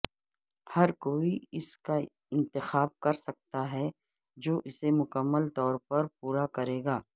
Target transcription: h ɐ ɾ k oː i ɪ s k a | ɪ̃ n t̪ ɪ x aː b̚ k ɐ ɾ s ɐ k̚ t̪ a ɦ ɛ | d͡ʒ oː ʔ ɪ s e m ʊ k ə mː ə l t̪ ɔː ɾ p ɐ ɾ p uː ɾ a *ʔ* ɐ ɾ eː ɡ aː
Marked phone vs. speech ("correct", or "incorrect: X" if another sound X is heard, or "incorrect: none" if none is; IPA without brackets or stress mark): incorrect: k